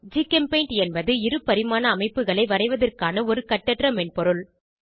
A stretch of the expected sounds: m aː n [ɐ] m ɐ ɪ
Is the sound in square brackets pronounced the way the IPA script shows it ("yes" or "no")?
no